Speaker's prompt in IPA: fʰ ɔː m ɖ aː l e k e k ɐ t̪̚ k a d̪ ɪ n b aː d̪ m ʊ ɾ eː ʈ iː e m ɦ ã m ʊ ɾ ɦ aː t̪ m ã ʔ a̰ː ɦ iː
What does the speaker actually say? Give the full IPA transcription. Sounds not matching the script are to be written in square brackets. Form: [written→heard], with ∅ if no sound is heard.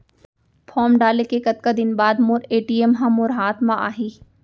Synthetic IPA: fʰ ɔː m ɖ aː l e k e k ɐ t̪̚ k a d̪ ɪ n b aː d̪ m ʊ ɾ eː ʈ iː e m ɦ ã m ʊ ɾ ɦ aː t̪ m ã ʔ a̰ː ɦ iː